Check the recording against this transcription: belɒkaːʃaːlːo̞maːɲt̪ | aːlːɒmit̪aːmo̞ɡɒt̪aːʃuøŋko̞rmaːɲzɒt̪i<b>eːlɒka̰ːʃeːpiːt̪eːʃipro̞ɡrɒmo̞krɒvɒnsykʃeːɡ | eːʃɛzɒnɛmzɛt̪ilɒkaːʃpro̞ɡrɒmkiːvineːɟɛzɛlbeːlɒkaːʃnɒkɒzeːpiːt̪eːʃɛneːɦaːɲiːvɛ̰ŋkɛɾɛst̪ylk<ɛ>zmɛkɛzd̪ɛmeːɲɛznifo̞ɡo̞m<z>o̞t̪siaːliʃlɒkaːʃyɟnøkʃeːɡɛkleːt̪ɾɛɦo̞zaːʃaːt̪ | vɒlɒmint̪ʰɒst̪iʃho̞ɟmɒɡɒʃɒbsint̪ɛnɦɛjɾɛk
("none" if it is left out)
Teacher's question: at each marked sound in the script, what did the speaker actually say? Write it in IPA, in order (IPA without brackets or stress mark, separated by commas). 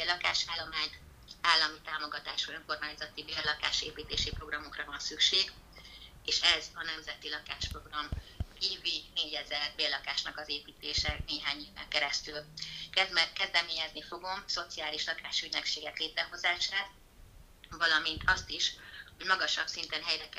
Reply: b, ɛ, s